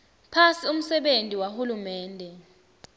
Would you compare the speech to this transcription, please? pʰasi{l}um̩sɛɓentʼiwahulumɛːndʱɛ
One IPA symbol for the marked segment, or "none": none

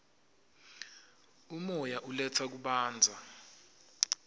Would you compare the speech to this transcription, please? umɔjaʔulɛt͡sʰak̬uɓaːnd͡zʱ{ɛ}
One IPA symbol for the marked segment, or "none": a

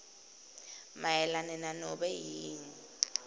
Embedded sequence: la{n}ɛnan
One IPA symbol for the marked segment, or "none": n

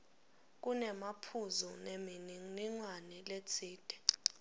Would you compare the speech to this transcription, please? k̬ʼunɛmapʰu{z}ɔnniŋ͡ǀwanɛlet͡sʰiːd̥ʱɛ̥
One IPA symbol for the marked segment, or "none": z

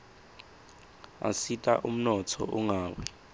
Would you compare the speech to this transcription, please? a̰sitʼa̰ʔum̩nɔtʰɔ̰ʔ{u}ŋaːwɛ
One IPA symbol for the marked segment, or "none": u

